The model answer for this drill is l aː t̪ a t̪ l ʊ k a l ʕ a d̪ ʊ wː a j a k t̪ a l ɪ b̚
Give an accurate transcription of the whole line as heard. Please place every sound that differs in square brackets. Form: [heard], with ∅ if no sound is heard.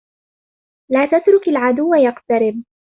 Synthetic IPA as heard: l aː t̪ a t̪ [ɾ] ʊ k a l ʕ a d̪ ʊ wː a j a [q] t̪ a [ɾ] ɪ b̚